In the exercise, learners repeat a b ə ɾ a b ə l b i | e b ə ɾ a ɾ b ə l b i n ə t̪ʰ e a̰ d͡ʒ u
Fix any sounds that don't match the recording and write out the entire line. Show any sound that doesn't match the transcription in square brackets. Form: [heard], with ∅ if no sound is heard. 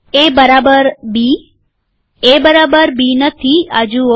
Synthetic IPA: [e] b ə ɾ a b ə [ɾ] b i | e b ə ɾ a [∅] b ə [ɾ] b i n ə t̪ʰ [i] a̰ d͡ʒ u

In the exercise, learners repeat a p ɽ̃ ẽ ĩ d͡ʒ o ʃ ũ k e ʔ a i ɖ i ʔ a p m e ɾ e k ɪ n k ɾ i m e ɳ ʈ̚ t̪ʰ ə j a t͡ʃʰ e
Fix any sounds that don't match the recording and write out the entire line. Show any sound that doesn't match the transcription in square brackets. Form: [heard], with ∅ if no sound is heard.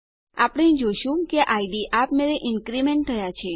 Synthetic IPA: a p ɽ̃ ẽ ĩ d͡ʒ o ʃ ũ k e ʔ a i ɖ i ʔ a p m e ɾ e [ʔ] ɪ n k ɾ i m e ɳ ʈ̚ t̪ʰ ə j a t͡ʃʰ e

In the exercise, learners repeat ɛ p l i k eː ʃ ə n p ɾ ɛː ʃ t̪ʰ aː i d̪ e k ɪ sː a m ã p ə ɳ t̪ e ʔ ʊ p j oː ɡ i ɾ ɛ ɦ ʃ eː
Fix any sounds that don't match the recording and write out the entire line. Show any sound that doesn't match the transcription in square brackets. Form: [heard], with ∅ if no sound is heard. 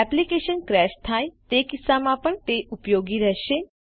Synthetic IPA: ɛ p l i k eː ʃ ə n [k] ɾ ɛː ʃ t̪ʰ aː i [t̪] e k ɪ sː a m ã p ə ɳ t̪ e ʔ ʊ p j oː ɡ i ɾ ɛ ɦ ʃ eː

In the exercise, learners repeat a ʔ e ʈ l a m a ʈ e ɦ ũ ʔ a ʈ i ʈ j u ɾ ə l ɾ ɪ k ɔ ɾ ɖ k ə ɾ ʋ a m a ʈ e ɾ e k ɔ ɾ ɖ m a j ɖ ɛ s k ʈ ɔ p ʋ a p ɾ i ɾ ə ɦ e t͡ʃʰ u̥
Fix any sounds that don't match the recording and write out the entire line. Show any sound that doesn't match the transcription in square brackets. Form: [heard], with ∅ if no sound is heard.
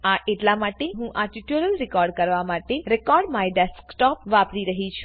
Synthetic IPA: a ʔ e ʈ l a m a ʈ e ɦ ũ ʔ a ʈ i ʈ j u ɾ ə l ɾ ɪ k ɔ ɾ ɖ k ə ɾ ʋ a m a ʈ e ɾ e k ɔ ɾ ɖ m a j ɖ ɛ s k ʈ ɔ p ʋ a p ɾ i ɾ ə ɦ [i] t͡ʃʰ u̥

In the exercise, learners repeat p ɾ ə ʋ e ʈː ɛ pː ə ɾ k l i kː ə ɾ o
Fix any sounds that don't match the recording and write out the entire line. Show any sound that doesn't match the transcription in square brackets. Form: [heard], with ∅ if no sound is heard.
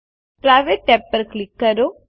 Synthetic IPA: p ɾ [a] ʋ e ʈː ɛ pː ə ɾ k l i kː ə ɾ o

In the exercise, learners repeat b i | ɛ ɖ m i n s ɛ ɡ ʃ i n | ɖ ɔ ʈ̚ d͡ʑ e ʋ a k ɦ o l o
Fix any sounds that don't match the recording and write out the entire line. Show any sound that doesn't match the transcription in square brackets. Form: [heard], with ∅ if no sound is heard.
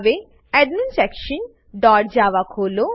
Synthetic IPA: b [e] | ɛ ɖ m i n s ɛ [k] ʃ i n | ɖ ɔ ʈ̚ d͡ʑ [a] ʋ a k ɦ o l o

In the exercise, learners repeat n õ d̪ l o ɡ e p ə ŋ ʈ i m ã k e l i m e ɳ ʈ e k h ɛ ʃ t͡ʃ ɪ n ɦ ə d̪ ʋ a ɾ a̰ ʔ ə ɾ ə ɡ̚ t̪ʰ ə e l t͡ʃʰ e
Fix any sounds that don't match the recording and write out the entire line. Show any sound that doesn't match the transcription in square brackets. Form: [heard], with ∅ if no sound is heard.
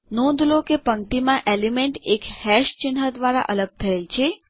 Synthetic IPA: n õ d̪ l o [k] e p ə ŋ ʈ i m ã [ʔ] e l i m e ɳ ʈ e k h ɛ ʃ t͡ʃ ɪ n ɦ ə d̪ ʋ a ɾ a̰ ʔ ə [l] ə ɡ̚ t̪ʰ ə e l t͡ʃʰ e

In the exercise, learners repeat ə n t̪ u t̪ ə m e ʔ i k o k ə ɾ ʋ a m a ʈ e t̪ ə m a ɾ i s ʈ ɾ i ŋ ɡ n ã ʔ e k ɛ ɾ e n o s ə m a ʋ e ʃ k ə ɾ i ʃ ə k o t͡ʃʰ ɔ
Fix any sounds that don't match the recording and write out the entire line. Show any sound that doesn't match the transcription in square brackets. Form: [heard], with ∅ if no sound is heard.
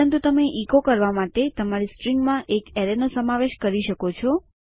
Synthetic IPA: ə n t̪ u t̪ ə m e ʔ i k o k ə ɾ ʋ a m a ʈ e t̪ ə m a ɾ i s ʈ ɾ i ŋ ɡ [m] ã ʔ e k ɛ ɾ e n o s ə m a ʋ e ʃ k ə ɾ i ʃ ə k o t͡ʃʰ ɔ

